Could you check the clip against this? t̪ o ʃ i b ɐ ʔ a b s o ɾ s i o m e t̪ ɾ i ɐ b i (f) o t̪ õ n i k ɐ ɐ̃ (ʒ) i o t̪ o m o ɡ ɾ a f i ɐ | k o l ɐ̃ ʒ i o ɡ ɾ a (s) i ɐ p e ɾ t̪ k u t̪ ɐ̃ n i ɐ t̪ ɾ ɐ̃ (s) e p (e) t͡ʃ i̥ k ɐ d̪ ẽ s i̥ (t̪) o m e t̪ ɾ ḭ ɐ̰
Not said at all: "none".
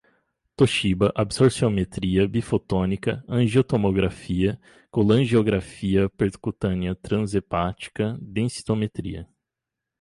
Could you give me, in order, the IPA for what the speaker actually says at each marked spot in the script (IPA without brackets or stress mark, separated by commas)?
f, ʒ, f, z, a, t̪